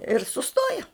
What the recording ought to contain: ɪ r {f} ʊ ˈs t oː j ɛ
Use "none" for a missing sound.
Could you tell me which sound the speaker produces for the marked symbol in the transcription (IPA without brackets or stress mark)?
s